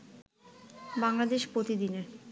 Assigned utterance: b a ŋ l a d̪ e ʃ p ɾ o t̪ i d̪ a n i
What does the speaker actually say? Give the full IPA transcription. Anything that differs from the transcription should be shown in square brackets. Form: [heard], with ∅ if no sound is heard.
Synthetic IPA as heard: b a ŋ l a d̪ e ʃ p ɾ o t̪ i d̪ [i] n [e]